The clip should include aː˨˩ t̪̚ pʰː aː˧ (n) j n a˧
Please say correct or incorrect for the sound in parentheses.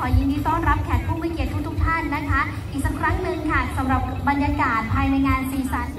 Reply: incorrect